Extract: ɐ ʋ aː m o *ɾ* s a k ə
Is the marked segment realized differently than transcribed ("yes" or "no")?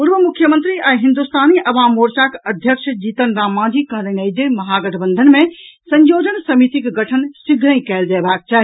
no